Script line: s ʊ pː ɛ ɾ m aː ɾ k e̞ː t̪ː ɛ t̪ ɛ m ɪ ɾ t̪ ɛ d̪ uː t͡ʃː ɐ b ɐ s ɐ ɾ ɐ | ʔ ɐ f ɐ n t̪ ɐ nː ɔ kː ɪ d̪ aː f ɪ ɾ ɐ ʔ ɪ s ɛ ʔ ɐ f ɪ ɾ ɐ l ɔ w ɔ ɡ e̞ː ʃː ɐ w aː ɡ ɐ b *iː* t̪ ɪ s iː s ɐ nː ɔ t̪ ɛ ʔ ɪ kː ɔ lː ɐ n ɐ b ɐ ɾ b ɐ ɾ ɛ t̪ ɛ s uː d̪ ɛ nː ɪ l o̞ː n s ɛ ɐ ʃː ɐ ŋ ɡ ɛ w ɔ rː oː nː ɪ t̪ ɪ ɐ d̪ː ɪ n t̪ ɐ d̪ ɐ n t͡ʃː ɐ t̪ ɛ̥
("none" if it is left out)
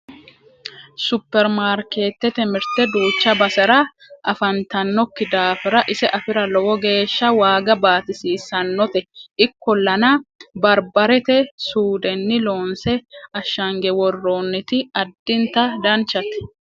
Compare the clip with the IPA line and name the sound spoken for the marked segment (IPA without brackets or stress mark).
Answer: aː